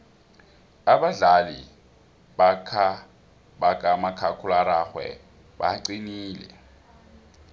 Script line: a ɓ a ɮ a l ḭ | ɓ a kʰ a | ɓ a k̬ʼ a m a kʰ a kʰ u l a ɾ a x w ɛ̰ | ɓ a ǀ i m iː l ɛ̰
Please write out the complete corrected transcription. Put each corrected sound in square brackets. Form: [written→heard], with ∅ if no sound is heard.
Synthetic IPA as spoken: a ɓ a ɮ a l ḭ | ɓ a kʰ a | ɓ a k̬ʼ a m a kʰ a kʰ u l a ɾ a x w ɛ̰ | ɓ a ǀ i [m→n] iː l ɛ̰